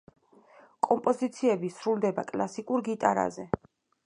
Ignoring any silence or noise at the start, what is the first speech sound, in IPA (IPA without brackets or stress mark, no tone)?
kʼ